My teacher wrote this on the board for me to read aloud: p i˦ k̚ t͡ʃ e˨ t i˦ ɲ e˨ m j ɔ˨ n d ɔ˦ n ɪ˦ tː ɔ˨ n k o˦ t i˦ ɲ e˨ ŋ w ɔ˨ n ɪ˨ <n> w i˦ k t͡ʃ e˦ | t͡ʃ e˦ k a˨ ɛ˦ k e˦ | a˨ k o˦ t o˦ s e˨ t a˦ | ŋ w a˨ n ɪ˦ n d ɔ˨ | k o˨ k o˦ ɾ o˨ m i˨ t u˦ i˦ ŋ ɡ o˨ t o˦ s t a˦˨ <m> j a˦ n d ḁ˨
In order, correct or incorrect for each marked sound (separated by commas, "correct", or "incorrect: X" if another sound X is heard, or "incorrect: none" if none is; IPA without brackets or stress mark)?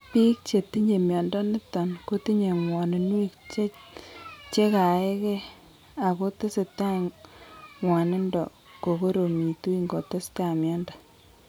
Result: correct, correct